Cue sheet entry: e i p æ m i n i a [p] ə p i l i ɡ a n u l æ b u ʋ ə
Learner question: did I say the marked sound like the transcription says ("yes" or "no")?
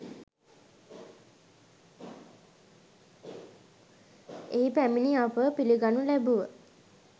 yes